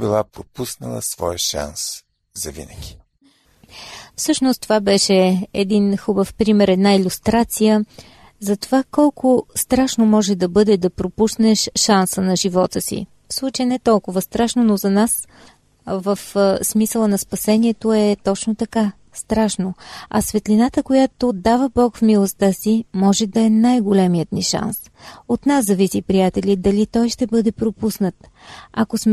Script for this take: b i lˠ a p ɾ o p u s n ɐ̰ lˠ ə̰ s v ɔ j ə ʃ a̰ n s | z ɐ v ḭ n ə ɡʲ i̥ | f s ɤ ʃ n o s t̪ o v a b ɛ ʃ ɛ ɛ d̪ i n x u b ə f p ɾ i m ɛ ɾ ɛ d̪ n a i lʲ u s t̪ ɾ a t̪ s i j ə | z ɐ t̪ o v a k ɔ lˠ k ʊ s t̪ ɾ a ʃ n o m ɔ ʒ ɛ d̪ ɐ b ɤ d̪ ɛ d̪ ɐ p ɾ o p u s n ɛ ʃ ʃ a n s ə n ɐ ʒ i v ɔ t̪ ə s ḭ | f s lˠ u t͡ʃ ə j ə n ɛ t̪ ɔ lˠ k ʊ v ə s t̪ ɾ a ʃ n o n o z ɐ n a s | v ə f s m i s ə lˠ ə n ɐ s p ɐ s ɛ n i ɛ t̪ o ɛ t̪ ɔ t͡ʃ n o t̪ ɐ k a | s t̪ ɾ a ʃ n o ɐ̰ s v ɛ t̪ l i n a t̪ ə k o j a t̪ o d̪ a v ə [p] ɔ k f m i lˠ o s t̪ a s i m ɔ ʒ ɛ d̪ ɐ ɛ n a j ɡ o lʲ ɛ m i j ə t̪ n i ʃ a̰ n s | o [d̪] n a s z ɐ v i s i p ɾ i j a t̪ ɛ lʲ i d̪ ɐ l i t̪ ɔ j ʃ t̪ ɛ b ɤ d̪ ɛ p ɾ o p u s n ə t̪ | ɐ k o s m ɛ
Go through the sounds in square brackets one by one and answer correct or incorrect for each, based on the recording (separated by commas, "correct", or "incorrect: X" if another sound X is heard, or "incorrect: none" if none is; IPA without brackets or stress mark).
incorrect: b, incorrect: t̪